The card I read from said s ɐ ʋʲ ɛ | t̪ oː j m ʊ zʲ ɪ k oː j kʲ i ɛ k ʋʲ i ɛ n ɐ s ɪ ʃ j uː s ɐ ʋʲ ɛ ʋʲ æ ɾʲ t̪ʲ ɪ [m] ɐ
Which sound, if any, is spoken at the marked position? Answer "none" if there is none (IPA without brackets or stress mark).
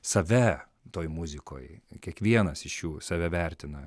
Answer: n